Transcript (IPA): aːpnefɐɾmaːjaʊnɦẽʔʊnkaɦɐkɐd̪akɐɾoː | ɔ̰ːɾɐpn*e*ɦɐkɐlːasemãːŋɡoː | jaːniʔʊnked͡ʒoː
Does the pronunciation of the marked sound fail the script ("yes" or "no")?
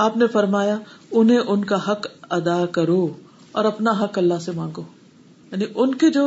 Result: yes